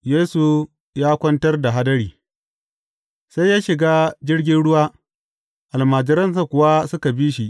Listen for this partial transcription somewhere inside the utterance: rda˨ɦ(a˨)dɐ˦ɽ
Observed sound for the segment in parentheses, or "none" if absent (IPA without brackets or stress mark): a˦